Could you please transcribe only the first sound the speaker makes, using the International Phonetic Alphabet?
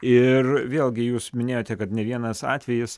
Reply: ɪ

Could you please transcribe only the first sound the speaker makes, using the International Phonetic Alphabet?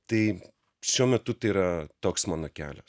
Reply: t̪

